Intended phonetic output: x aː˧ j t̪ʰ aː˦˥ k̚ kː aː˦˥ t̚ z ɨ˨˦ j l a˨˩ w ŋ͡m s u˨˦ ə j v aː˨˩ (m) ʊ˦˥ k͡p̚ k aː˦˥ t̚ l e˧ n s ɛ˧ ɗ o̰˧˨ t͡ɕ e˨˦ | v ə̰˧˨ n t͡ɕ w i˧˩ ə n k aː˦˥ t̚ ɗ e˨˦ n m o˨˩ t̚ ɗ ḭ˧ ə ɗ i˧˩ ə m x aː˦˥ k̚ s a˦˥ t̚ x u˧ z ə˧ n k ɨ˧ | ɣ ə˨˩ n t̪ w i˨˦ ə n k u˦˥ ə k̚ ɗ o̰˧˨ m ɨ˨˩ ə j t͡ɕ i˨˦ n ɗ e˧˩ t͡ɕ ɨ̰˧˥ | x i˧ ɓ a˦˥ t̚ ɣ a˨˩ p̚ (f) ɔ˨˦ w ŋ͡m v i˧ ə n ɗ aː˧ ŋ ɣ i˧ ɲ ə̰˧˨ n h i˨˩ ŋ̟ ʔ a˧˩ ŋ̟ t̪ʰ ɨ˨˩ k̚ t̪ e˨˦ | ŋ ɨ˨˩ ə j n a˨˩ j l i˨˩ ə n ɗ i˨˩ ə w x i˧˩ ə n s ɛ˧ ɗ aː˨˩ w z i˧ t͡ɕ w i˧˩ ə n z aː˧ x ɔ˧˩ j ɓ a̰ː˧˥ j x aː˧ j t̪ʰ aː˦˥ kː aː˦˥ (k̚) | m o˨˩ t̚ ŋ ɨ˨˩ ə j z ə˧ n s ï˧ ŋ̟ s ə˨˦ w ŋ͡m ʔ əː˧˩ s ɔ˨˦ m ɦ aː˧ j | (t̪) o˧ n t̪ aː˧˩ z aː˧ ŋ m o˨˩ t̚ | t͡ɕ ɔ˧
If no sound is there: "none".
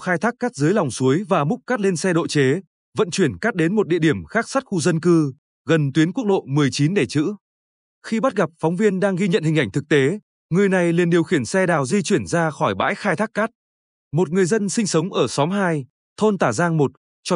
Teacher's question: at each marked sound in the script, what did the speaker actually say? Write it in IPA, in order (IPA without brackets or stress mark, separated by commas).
m, f, t̚, t̪ʰ